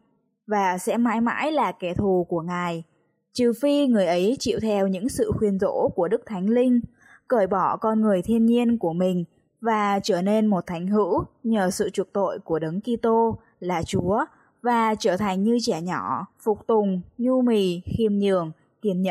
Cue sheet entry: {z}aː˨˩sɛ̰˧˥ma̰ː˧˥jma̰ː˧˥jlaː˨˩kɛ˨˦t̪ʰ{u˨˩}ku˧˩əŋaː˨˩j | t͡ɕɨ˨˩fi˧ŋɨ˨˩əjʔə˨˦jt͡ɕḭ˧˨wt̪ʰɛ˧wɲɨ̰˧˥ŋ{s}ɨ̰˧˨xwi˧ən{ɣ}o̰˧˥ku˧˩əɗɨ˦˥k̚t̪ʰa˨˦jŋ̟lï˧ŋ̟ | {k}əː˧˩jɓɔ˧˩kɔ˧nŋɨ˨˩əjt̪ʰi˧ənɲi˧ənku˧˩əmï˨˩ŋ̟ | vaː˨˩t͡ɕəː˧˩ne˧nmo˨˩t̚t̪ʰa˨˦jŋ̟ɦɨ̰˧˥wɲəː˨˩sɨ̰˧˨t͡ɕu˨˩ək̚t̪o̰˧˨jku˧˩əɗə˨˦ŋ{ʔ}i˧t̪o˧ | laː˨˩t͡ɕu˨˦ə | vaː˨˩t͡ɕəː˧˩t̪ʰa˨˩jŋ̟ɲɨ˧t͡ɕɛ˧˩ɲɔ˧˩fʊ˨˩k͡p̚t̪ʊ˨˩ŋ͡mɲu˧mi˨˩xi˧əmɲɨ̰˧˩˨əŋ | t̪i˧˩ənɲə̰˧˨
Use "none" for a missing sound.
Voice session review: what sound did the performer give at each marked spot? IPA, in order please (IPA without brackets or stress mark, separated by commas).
v, u˨˩, s, z, k, k